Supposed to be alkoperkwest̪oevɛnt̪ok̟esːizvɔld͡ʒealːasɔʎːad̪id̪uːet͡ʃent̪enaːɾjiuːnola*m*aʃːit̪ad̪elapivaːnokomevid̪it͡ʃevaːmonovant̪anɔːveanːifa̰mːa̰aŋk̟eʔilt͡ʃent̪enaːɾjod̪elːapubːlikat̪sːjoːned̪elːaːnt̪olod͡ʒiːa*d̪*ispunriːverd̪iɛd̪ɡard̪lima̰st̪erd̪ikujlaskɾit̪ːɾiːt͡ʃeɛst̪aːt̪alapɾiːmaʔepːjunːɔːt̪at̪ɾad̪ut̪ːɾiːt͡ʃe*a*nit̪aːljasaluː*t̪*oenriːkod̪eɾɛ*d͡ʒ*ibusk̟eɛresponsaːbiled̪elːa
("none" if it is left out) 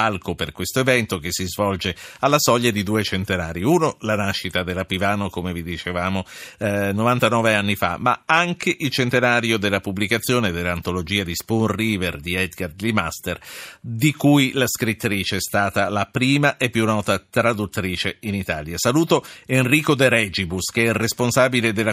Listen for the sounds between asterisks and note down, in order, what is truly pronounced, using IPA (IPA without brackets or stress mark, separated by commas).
n, d̪, i, t̪, d͡ʒ